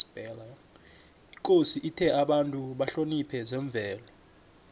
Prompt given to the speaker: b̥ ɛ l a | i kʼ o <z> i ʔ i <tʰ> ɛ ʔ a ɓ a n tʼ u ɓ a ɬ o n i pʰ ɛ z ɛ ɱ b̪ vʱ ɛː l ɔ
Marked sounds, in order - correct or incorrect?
incorrect, correct

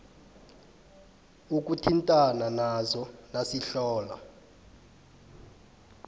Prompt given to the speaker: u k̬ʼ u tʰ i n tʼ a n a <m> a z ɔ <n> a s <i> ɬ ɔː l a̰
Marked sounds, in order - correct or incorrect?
incorrect, correct, correct

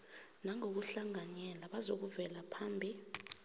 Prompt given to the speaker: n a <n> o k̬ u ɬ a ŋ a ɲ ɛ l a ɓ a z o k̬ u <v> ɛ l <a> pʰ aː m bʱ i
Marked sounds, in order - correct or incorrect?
incorrect, correct, correct

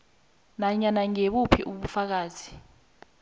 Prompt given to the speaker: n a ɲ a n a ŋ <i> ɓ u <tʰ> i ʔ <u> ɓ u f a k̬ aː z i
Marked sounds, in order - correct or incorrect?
incorrect, incorrect, correct

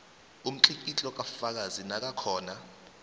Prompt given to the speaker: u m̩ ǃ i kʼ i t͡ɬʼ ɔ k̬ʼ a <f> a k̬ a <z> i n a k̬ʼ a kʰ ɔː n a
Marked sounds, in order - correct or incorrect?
correct, correct

